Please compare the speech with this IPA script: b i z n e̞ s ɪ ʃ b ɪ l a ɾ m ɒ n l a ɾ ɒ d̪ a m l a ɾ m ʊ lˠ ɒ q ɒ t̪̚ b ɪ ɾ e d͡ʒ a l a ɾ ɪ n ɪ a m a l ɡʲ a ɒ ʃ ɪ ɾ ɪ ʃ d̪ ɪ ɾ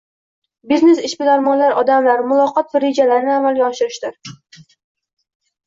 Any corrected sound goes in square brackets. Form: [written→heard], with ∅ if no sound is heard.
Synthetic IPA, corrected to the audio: b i z n e̞ s ɪ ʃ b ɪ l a ɾ m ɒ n l a ɾ ɒ d̪ a m l a ɾ m ʊ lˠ ɒ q ɒ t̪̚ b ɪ ɾ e d͡ʒ a l a ɾ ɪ n ɪ a m a l ɡʲ a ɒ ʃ ɪ ɾ ɪ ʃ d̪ ɪ ɾ